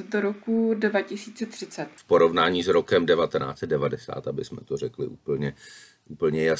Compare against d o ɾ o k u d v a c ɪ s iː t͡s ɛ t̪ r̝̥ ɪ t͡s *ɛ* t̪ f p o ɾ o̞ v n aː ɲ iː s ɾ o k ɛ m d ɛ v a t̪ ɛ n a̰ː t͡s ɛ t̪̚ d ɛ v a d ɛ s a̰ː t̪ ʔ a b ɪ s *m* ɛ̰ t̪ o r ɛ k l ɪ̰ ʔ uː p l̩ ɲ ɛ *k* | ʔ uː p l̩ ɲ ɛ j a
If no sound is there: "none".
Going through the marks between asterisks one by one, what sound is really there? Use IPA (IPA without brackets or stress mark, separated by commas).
ɛ, m, none